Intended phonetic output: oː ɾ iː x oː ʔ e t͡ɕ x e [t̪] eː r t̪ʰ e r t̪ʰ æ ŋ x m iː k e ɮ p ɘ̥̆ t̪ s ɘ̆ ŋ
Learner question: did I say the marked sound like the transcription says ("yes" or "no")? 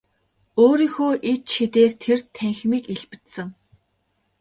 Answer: yes